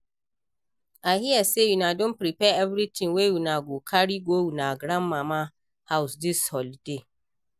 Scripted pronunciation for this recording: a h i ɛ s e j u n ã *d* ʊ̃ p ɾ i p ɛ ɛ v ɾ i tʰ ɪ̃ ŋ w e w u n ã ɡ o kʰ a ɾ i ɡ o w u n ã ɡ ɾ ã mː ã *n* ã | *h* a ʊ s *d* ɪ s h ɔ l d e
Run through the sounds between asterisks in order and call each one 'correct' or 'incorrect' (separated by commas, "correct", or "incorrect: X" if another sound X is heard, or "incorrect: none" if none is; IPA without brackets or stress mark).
correct, incorrect: m, correct, correct